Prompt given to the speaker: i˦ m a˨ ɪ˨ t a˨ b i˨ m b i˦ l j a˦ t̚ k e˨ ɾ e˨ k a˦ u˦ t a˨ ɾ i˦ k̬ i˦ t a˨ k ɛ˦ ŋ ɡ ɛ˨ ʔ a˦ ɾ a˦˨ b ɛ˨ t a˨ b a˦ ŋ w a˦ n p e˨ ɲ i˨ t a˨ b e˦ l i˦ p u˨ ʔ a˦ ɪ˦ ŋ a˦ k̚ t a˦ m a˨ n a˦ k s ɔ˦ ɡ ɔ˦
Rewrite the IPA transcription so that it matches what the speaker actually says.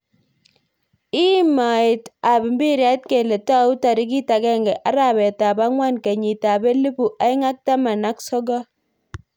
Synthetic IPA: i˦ m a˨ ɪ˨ t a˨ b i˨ m b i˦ ɾ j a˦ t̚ k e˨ l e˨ t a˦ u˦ t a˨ ɾ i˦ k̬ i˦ t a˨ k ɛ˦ ŋ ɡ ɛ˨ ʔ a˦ ɾ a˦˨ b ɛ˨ t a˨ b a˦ ŋ w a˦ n k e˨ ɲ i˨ t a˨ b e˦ l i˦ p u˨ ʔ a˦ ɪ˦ ŋ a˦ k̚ t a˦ m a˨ n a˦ k s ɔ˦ ɡ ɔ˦